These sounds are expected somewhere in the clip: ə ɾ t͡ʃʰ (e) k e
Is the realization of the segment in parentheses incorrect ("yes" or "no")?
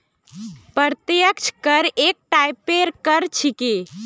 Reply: yes